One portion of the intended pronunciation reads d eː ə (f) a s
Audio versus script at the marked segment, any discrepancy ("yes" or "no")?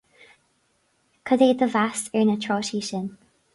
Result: yes